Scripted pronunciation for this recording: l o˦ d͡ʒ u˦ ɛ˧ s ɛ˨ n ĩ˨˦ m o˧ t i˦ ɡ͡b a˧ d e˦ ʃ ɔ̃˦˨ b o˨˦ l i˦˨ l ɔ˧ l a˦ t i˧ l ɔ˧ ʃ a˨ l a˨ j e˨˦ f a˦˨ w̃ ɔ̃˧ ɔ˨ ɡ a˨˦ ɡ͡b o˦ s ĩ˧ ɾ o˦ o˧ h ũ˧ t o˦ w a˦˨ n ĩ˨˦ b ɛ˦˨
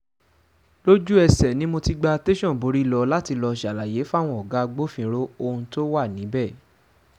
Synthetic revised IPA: l o˦ d͡ʒ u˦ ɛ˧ s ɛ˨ n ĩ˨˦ m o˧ t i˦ ɡ͡b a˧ t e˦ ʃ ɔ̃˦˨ b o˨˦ ɾ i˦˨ l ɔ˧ l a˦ t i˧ l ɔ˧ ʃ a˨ l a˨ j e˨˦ f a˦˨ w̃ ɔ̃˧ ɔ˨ ɡ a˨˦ ɡ͡b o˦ f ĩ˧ ɾ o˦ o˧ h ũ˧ t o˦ w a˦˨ n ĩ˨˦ b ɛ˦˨